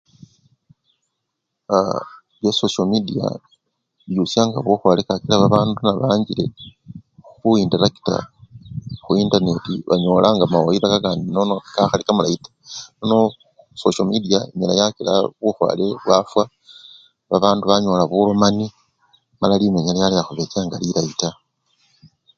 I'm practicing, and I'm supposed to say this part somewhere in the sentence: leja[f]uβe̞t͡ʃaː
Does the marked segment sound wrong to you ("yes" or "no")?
yes